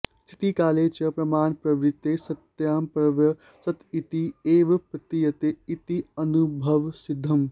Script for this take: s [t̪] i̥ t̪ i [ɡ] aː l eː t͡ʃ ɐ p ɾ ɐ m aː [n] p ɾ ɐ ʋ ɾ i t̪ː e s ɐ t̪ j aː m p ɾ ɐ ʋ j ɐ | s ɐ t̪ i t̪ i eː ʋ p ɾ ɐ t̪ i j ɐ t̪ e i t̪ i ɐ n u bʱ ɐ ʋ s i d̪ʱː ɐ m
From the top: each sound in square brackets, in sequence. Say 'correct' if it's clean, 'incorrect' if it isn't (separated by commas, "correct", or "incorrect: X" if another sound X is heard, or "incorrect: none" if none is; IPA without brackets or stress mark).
incorrect: t̪ʰ, incorrect: k, correct